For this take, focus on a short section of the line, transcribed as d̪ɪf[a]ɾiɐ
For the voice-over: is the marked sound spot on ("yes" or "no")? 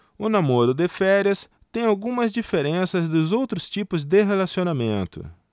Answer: no